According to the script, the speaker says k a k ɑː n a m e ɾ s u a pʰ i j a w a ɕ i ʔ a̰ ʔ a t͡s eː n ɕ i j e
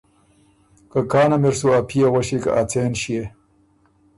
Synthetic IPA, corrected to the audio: k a k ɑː n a m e ɾ s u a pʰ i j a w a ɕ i k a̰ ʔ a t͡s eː n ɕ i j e